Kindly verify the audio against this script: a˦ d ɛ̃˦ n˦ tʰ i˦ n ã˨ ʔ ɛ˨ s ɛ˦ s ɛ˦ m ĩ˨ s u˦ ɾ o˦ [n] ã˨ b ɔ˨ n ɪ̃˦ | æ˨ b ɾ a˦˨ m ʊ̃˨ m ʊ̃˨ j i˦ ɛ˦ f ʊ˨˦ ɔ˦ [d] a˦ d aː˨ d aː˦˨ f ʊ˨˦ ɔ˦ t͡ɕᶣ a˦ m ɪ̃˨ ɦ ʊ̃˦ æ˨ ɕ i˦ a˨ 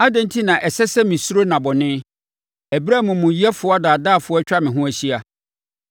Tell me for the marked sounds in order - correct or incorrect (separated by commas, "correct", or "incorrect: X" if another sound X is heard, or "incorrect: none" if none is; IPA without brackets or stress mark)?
correct, incorrect: none